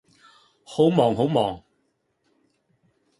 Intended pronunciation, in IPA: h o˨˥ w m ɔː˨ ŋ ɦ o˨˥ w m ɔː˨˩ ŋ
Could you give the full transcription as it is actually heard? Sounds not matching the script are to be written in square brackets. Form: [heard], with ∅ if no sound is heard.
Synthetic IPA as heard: h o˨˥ w m ɔː˨ ŋ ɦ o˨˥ w m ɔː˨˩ ŋ